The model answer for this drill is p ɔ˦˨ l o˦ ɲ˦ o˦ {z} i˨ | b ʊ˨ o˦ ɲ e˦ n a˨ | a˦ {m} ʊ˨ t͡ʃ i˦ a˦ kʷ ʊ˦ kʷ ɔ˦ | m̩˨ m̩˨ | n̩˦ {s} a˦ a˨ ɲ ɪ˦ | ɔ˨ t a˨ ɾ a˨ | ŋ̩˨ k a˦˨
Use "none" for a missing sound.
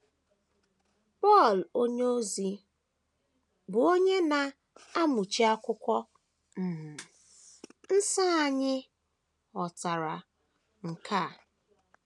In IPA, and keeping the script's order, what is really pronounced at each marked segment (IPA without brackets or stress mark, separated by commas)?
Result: z, m, s